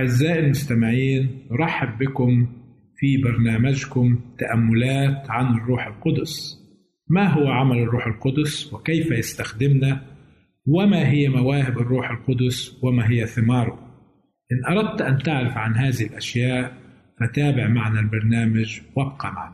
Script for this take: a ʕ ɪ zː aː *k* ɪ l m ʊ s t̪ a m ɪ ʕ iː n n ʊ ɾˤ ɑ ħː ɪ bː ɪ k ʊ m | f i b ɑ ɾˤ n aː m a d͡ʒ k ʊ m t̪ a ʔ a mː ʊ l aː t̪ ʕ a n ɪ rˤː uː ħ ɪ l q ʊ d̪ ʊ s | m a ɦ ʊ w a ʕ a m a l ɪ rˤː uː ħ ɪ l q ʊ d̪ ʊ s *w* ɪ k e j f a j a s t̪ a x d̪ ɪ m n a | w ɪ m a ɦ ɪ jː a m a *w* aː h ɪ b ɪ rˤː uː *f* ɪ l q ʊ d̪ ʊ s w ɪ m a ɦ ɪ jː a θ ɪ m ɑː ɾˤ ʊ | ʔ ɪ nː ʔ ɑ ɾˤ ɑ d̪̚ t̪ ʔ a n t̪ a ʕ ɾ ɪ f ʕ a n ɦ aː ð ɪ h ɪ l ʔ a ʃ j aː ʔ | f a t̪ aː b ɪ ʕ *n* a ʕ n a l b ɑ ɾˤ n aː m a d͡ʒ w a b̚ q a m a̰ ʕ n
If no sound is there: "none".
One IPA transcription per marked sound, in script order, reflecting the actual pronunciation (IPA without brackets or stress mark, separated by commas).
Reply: ʔ, w, w, ħ, m